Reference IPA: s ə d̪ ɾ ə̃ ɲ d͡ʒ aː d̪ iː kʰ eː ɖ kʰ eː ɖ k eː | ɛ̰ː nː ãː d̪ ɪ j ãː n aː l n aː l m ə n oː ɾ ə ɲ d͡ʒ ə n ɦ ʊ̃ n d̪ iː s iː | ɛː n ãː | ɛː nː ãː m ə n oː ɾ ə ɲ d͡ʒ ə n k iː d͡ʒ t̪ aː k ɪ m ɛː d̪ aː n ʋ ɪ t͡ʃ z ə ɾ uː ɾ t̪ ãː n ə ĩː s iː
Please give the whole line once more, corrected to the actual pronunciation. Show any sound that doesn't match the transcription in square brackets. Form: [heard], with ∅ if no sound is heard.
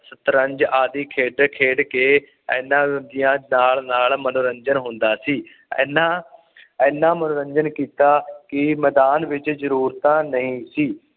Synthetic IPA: s ə [t̪] ɾ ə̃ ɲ d͡ʒ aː d̪ iː kʰ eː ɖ kʰ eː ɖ k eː | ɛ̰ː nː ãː d̪ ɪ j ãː n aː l n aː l m ə n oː ɾ ə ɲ d͡ʒ ə n ɦ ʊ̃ n d̪ [aː] s iː | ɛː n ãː | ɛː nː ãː m ə n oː ɾ ə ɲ d͡ʒ ə n k iː [∅] t̪ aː k ɪ m ɛː d̪ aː n ʋ ɪ t͡ʃ z ə ɾ uː ɾ t̪ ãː n ə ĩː s iː